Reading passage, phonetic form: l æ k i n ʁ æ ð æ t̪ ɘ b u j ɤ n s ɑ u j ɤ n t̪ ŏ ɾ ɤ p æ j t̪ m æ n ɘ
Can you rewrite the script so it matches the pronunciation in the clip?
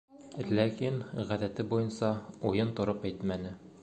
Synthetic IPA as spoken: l æ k i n ʁ æ ð æ t̪ ɘ b u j ɤ n s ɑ u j ɤ n t̪ ŏ ɾ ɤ p æ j t̪ m æ n ɘ